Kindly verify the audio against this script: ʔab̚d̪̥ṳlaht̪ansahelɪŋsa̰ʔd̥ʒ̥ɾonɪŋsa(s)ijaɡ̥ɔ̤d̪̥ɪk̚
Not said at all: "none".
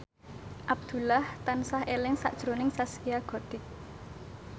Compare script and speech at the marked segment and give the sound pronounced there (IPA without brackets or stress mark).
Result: s